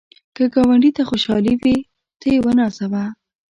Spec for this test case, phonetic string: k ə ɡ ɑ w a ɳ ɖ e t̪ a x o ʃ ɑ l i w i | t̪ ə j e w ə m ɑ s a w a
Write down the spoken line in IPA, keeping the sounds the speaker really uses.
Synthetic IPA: k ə ɡ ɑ w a ɳ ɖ i t̪ a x o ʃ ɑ l i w i | t̪ ə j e w ə n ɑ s a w a